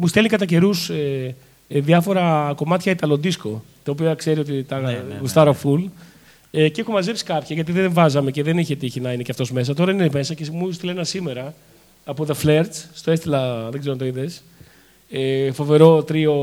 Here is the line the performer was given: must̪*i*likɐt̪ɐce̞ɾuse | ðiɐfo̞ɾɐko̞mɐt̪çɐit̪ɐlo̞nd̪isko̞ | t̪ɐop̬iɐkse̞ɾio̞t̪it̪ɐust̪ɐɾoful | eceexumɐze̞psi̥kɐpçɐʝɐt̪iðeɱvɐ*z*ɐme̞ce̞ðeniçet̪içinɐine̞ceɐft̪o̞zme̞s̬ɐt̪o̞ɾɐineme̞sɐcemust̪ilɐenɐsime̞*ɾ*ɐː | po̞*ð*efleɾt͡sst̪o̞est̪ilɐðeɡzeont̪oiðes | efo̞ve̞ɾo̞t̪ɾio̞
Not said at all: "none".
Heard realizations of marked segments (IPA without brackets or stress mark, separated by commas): e, z, ɾ, ð